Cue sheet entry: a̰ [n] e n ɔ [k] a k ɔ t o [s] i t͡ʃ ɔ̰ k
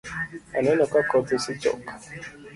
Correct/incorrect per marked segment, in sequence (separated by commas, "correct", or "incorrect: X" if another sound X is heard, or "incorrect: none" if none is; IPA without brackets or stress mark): correct, correct, correct